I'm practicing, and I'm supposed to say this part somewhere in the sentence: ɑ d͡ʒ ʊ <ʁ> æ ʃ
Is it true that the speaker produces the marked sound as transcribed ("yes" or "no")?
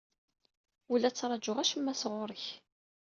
yes